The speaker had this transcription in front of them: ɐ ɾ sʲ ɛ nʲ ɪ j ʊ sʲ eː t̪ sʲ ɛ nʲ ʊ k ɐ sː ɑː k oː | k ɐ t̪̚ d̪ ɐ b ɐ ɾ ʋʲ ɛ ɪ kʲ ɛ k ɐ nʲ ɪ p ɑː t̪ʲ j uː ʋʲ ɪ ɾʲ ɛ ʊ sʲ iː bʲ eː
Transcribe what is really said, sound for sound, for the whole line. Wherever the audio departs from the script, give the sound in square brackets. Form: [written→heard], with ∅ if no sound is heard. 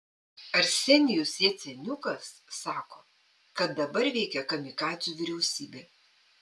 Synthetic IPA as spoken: ɐ ɾ sʲ ɛ nʲ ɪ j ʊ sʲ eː t̪ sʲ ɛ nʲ ʊ k ɐ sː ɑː k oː | k ɐ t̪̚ d̪ ɐ b ɐ ɾ ʋʲ ɛ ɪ kʲ ɛ k ɐ [nʲ→mʲ] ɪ [p→k] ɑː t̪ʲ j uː ʋʲ ɪ ɾʲ ɛ ʊ sʲ iː bʲ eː

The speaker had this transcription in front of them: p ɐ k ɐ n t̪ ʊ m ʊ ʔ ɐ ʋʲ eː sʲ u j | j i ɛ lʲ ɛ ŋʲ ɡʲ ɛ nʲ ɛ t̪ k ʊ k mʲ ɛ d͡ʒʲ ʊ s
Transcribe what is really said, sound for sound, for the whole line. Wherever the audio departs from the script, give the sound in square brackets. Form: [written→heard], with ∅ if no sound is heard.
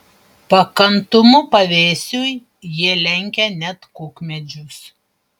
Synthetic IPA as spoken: p ɐ k ɐ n t̪ ʊ m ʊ [ʔ→p] ɐ ʋʲ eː sʲ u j | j i ɛ lʲ ɛ ŋʲ [ɡʲ→kʲ] ɛ nʲ ɛ t̪ k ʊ k mʲ ɛ d͡ʒʲ ʊ s

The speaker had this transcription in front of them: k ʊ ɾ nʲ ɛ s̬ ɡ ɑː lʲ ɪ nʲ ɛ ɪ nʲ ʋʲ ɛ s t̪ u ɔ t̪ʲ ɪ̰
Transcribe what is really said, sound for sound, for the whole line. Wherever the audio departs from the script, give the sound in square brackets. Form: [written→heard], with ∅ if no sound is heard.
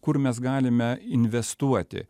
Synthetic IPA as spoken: k ʊ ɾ [nʲ→mʲ] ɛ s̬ ɡ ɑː lʲ ɪ [nʲ→mʲ] ɛ ɪ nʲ ʋʲ ɛ s t̪ u ɔ t̪ʲ ɪ̰

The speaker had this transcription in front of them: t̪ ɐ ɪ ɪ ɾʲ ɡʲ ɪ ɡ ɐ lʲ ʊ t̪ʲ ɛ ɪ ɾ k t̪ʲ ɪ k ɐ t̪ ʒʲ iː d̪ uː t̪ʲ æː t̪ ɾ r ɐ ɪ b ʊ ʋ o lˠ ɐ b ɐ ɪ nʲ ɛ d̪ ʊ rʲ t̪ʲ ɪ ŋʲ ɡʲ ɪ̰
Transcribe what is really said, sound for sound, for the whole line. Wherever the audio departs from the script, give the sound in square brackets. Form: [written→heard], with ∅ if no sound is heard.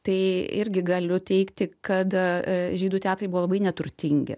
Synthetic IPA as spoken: t̪ ɐ ɪ ɪ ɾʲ ɡʲ ɪ ɡ ɐ lʲ ʊ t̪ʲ ɛ ɪ [ɾ→∅] k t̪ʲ ɪ k ɐ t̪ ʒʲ iː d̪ uː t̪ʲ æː t̪ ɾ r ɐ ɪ b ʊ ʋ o lˠ ɐ b ɐ ɪ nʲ ɛ [d̪→t̪] ʊ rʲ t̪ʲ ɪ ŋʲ ɡʲ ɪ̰

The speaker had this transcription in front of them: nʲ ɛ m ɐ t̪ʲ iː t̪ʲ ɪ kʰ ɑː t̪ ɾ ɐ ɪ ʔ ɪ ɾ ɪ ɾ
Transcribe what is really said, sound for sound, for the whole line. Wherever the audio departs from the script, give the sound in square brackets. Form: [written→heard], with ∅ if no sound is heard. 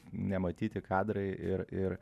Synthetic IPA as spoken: nʲ ɛ m ɐ t̪ʲ iː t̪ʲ ɪ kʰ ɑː [t̪→d̪] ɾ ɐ ɪ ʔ ɪ ɾ ɪ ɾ

